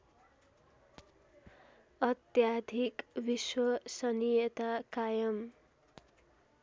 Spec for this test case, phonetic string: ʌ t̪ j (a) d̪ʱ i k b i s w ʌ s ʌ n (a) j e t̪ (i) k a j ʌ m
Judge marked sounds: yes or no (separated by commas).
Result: yes, no, no